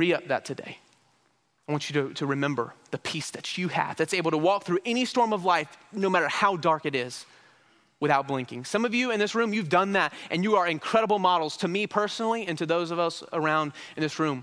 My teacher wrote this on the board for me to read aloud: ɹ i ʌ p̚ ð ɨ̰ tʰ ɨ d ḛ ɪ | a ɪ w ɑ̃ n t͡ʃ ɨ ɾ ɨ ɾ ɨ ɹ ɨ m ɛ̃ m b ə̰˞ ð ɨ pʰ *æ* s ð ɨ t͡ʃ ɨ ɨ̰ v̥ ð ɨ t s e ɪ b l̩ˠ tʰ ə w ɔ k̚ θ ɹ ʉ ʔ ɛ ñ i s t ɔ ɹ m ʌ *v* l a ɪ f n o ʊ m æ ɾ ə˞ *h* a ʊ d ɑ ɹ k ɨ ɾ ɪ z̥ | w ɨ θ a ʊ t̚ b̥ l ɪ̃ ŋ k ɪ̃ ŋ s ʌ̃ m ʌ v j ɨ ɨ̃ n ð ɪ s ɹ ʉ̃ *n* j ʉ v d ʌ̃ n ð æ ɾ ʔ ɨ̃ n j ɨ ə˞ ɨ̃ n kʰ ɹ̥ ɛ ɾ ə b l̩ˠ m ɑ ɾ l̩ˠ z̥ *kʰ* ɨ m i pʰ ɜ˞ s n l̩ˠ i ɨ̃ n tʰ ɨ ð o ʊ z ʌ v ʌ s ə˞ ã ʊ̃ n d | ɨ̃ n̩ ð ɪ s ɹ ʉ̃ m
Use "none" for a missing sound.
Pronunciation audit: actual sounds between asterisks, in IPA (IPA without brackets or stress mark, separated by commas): i, v, h, m, tʰ